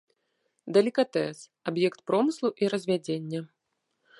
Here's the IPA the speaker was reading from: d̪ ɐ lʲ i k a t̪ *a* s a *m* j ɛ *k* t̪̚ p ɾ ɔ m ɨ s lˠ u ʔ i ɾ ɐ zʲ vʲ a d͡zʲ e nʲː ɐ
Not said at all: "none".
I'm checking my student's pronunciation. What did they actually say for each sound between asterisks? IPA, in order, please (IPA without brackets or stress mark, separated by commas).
ɛ, b, k